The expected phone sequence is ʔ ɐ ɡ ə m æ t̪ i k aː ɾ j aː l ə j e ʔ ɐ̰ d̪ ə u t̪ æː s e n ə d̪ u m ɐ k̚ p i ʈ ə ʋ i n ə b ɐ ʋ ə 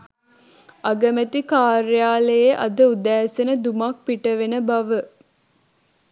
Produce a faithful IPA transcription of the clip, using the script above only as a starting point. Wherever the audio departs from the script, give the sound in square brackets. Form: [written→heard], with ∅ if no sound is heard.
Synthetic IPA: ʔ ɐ ɡ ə m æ t̪ i k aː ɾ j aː l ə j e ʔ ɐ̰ d̪ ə u [t̪→d̪] æː s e n ə d̪ u m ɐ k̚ p i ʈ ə ʋ [i→e] n ə b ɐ ʋ ə